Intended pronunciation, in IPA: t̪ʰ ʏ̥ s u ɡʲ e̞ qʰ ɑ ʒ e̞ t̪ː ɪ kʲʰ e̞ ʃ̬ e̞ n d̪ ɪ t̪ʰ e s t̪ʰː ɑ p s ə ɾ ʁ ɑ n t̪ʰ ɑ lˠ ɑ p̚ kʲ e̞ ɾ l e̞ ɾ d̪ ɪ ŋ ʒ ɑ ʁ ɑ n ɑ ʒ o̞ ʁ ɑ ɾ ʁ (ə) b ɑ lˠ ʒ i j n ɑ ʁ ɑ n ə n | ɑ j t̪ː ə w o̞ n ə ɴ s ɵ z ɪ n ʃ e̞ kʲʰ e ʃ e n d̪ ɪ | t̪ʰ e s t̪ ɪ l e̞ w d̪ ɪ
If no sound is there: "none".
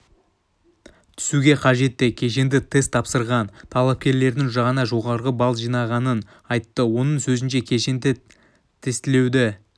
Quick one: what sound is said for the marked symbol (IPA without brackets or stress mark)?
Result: ə